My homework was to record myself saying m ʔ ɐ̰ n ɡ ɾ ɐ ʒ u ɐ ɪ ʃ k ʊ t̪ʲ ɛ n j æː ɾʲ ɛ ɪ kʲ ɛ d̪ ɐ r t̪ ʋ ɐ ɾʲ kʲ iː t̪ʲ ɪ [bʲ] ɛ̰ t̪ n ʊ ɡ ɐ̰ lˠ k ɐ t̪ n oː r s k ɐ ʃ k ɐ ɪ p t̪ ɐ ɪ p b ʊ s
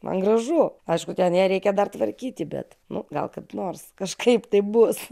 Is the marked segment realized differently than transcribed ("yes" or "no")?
no